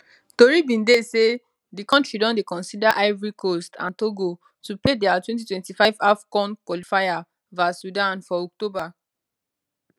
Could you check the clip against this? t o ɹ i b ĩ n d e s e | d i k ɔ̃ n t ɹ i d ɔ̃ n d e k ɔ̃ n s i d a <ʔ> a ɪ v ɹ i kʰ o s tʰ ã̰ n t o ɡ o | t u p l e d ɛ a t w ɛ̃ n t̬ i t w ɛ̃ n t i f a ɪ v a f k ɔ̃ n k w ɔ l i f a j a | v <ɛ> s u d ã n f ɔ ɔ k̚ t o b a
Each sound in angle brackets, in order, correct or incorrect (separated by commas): correct, incorrect